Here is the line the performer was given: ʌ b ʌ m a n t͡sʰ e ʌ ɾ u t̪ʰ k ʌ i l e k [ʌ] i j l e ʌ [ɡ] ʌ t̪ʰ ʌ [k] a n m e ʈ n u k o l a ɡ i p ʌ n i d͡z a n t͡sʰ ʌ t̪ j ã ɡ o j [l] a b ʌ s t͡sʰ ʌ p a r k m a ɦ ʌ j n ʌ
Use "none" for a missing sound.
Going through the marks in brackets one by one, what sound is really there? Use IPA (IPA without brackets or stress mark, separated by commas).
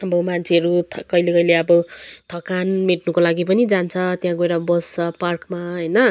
ʌ, b, k, ɾ